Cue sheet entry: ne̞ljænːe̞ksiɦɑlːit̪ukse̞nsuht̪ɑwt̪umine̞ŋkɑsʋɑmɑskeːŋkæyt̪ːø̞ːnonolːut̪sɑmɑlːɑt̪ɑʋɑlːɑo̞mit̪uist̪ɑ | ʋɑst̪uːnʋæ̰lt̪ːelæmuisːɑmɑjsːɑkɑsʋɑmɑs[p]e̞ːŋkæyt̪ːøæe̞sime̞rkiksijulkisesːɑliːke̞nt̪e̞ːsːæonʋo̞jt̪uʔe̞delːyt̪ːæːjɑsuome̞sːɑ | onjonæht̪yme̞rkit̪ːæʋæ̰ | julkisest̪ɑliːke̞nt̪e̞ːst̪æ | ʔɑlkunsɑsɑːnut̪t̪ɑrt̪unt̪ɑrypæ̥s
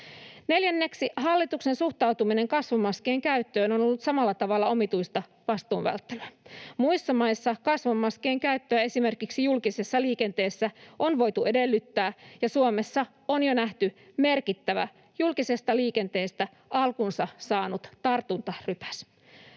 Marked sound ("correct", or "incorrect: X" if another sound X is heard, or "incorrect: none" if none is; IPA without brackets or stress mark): incorrect: k